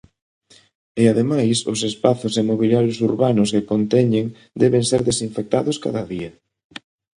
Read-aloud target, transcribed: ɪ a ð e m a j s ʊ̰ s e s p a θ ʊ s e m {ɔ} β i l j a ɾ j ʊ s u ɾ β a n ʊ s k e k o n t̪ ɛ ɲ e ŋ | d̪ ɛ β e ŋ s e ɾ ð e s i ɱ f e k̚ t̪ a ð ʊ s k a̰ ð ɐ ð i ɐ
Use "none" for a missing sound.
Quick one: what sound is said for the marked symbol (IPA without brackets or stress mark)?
o